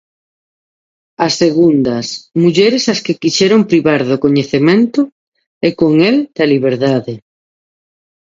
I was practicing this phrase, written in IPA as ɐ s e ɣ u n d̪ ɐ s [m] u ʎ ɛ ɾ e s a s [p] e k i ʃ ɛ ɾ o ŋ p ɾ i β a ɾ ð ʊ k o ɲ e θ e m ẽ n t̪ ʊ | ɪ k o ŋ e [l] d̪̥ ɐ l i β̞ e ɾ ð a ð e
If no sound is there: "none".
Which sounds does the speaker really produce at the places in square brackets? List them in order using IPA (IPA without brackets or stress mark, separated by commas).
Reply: m, k, l